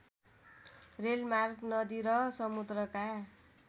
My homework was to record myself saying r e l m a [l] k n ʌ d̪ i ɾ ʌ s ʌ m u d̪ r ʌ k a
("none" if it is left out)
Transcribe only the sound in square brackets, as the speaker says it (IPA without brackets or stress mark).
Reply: r